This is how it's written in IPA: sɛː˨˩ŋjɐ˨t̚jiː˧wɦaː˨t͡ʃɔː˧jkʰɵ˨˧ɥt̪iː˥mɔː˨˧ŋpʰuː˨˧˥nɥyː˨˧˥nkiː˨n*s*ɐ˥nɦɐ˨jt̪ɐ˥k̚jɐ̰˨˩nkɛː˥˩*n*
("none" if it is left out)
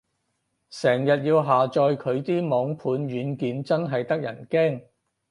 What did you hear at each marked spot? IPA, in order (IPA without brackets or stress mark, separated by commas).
t͡s, ŋ